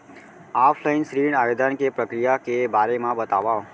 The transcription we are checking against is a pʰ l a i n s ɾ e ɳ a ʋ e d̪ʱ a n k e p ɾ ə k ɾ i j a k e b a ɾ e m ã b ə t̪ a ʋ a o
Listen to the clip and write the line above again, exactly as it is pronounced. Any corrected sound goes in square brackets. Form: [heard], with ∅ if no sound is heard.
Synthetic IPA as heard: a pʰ l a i n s ɾ [i] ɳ a ʋ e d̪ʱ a n k e p ɾ ə k ɾ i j a k e b a ɾ e m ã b ə t̪ a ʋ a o